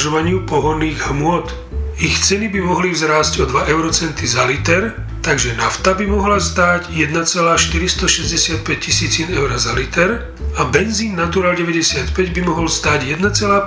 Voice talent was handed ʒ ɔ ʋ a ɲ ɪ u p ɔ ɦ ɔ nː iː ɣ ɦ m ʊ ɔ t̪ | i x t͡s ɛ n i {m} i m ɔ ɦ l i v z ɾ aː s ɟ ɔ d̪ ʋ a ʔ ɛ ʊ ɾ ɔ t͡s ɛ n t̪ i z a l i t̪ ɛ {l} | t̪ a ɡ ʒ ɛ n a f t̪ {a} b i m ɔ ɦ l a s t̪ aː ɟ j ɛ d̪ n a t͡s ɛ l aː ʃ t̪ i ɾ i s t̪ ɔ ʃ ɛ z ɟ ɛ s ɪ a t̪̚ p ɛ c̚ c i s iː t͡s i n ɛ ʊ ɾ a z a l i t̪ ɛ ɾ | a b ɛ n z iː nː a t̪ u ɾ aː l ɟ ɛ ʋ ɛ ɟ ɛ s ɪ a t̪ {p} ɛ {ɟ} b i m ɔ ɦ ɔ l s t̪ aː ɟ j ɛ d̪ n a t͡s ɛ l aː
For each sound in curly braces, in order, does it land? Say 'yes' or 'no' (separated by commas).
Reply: no, no, yes, yes, yes